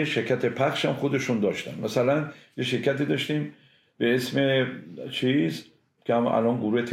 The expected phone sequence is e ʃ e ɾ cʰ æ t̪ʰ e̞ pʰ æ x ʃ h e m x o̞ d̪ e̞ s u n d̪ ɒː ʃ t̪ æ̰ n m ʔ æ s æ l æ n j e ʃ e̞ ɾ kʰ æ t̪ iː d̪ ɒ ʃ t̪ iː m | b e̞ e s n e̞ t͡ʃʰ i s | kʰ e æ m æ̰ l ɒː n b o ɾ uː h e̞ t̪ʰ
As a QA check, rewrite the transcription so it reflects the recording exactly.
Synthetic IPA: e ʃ e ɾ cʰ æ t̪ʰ e̞ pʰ æ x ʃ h æ m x o̞ d̪ e̞ ʃ u n d̪ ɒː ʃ t̪ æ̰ n m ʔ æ s æ l æ n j e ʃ e̞ ɾ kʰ æ t̪ iː d̪ ɒ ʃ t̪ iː m | b e̞ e s m e̞ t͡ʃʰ i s | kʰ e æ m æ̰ l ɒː n ɡ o ɾ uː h e̞ t̪ʰ